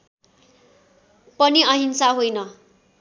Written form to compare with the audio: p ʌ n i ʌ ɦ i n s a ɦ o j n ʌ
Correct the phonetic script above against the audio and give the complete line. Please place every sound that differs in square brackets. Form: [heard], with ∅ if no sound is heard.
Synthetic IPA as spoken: p ʌ n i ʌ ɦ i n s a ɦ o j n ʌ